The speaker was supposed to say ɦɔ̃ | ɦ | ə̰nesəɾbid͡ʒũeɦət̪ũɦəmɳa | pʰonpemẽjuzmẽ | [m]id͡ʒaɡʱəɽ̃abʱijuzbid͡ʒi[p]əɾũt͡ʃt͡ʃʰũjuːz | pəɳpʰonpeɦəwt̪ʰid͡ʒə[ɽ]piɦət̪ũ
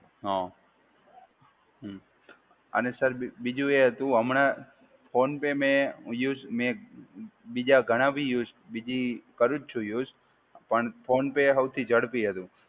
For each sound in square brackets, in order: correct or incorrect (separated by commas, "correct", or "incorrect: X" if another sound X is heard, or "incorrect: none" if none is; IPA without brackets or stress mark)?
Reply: incorrect: b, incorrect: k, correct